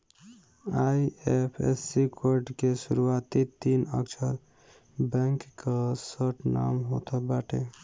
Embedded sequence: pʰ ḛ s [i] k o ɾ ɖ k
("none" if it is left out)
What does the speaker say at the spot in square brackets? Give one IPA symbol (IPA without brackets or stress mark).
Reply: i